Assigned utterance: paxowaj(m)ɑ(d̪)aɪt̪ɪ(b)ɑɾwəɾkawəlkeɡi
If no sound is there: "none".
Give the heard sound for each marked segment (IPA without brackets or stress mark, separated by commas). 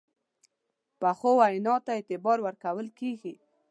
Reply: n, t̪, b